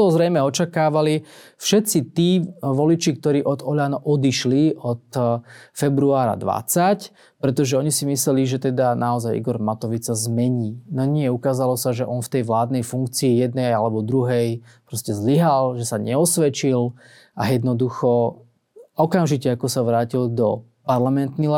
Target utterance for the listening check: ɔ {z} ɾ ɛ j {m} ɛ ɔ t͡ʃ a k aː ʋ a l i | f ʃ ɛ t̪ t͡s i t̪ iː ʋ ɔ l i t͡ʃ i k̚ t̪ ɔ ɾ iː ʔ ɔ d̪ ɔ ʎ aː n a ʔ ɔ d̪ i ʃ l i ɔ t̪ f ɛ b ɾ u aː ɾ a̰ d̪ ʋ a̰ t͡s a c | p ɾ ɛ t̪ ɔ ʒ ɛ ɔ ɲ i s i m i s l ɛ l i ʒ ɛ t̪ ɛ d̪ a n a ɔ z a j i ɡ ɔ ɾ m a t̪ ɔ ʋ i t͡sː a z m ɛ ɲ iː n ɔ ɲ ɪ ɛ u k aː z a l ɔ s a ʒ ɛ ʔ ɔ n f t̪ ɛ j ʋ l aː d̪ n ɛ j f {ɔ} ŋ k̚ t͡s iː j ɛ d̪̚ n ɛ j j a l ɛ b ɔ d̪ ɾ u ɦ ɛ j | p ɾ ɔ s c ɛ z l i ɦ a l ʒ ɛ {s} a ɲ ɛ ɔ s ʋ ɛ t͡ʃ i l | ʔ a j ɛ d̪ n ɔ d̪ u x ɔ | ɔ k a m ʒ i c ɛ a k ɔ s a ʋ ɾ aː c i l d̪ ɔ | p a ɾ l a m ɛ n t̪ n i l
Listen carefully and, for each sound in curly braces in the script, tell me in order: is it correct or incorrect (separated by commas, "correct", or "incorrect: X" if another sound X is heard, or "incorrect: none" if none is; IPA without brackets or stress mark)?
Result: correct, correct, incorrect: u, correct